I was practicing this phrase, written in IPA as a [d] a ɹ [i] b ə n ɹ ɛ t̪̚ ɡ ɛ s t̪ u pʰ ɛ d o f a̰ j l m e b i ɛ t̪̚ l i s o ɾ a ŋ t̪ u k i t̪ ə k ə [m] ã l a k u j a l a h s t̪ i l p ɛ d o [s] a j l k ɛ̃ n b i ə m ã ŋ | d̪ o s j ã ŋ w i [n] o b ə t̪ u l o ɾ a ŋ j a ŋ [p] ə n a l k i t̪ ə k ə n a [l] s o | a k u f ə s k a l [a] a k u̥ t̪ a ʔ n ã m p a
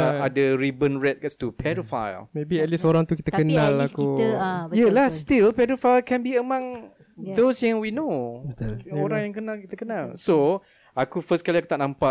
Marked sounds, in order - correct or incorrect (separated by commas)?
correct, correct, incorrect, incorrect, correct, incorrect, correct, incorrect